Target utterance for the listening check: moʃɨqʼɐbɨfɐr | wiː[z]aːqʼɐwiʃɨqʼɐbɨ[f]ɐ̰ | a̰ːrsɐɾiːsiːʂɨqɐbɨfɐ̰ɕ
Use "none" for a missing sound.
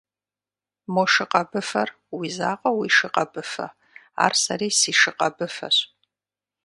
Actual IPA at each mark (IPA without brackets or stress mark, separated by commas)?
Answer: z, f